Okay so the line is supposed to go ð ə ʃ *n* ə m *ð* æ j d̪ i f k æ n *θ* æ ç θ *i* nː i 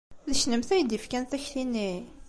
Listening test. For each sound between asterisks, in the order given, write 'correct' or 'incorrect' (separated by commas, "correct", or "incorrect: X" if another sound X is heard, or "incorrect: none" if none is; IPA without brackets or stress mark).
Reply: correct, incorrect: θ, correct, correct